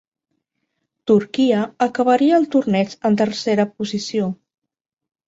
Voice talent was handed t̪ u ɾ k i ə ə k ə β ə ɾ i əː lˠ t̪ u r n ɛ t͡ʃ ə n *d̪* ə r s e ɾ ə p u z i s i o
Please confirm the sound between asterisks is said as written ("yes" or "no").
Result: no